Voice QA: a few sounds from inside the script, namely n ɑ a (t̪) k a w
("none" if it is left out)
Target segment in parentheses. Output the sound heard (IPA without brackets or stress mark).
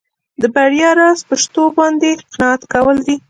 t̪